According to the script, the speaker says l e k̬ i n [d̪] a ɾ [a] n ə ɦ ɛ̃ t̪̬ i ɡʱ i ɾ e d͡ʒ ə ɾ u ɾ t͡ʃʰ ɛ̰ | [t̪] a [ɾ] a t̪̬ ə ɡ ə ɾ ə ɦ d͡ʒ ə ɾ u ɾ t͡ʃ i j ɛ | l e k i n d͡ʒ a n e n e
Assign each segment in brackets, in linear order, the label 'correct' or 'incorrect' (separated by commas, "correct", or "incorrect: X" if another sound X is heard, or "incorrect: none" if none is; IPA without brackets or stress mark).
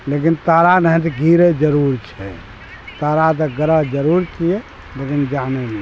incorrect: t̪, correct, correct, correct